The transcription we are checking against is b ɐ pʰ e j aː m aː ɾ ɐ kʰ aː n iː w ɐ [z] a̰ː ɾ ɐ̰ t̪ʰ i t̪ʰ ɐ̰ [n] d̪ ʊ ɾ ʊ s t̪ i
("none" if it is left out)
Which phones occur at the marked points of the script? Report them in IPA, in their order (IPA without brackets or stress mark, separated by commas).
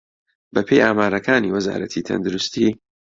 z, n